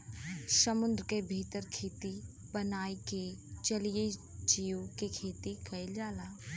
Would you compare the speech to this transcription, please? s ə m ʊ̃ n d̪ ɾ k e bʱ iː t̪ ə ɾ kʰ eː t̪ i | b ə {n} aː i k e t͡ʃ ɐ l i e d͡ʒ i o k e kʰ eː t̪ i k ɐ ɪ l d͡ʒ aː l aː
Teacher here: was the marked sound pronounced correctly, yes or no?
yes